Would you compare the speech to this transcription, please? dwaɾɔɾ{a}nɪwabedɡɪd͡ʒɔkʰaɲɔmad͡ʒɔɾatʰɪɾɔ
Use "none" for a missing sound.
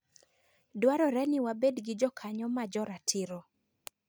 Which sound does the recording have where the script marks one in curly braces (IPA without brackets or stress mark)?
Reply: ɛ